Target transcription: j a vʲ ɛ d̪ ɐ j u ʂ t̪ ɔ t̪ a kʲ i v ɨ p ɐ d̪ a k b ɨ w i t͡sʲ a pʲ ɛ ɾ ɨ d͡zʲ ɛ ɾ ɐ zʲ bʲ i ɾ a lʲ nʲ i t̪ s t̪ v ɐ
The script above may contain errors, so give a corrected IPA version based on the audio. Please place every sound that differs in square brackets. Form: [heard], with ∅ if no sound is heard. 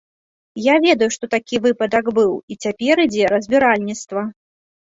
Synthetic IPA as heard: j a vʲ ɛ d̪ ɐ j u ʂ t̪ ɔ t̪ a kʲ i v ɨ p ɐ d̪ [ɐ] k b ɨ w i t͡sʲ a pʲ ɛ ɾ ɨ d͡zʲ ɛ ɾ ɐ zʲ bʲ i ɾ a lʲ nʲ i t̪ s t̪ v ɐ